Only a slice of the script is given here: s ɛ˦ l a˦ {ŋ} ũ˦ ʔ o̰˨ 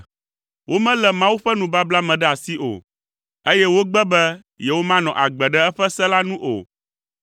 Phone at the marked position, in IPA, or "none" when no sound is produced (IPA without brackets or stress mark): n